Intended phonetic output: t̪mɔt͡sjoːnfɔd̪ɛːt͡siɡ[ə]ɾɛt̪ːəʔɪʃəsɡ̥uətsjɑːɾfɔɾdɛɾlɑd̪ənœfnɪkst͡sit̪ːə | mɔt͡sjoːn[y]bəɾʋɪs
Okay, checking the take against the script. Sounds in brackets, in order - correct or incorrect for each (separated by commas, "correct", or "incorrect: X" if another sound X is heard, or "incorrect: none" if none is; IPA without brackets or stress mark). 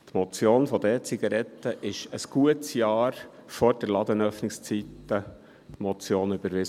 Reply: incorrect: ɑ, correct